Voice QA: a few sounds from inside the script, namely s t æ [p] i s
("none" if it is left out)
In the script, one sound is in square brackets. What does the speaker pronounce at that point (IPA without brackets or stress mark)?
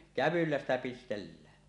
p